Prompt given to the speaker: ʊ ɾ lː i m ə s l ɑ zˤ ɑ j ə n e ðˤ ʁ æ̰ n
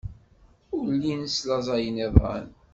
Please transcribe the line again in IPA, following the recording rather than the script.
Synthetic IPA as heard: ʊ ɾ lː i n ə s l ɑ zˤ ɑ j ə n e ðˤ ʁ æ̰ n